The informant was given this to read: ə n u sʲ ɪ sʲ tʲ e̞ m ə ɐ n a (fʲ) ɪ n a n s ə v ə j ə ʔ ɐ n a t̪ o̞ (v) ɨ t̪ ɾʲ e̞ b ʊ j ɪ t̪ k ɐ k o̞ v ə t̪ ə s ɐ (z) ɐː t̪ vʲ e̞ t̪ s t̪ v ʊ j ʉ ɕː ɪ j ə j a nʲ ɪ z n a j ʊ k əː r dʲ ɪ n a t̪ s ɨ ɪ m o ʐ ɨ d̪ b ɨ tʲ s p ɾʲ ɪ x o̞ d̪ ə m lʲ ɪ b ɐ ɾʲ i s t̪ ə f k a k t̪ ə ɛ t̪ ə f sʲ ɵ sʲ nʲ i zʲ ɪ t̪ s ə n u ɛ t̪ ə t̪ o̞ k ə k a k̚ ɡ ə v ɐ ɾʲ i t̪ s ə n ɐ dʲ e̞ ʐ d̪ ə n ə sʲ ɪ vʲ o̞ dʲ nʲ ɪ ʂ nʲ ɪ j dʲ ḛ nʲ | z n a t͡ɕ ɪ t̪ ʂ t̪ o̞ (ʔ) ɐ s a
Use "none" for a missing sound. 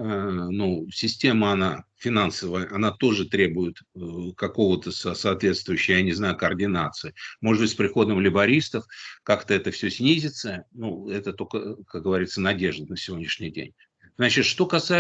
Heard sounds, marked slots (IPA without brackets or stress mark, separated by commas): fʲ, ʐ, s, k